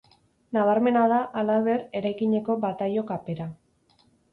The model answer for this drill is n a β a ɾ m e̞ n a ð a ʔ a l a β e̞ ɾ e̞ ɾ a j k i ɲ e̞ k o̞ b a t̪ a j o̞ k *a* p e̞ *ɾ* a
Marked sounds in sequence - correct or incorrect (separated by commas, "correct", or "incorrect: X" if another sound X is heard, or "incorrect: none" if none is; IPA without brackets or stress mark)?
correct, correct